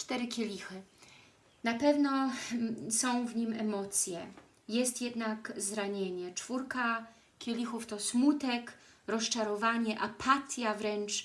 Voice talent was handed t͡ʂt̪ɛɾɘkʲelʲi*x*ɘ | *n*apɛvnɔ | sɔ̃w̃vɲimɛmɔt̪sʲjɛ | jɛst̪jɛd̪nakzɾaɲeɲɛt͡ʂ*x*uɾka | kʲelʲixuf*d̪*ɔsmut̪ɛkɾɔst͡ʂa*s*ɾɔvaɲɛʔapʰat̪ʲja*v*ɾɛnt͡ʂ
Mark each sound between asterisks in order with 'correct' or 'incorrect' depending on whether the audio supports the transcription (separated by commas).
correct, correct, incorrect, incorrect, incorrect, correct